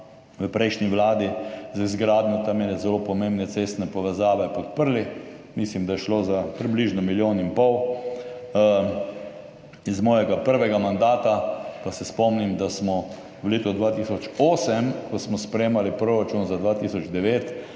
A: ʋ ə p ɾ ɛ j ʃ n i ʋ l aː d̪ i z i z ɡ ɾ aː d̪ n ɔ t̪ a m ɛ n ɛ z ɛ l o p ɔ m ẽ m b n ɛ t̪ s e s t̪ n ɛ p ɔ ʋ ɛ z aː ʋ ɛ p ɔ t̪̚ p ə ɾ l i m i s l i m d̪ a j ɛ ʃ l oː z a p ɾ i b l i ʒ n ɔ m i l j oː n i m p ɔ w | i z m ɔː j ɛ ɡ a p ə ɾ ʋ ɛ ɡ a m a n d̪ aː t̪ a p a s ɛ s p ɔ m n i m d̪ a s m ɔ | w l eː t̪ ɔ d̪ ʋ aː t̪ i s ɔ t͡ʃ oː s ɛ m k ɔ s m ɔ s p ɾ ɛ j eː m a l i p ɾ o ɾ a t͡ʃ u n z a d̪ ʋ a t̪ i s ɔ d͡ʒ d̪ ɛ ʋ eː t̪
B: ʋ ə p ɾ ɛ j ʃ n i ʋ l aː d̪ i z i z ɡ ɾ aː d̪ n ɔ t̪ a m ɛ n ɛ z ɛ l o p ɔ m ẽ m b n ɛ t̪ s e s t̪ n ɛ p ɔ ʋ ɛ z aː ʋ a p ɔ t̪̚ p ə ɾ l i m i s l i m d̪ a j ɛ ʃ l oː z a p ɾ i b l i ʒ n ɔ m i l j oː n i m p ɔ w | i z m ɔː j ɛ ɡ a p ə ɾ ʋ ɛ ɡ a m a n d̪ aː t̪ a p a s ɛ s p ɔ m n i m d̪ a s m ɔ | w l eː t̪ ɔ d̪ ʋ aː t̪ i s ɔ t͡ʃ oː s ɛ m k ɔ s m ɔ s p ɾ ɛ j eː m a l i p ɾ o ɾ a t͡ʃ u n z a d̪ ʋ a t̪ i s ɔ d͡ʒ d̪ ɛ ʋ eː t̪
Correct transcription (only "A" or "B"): A